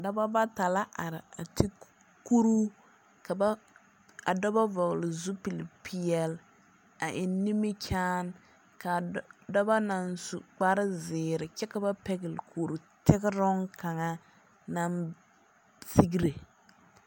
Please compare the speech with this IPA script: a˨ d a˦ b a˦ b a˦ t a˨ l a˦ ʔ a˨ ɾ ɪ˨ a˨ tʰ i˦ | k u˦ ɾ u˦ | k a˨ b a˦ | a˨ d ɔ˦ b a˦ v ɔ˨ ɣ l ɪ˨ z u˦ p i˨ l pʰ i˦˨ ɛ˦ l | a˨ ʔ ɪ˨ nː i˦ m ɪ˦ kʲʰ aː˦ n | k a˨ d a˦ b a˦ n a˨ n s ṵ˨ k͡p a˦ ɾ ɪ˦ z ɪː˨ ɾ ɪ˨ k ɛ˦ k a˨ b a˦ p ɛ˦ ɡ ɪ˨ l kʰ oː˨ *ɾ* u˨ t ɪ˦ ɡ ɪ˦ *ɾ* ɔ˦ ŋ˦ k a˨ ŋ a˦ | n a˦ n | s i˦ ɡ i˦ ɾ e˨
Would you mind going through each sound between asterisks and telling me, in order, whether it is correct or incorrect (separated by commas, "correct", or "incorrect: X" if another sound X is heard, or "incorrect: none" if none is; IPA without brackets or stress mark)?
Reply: correct, correct